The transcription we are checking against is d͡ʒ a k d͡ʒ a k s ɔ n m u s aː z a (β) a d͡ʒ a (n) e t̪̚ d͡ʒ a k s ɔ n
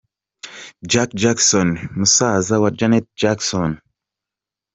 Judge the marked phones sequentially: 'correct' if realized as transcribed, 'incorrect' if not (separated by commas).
incorrect, correct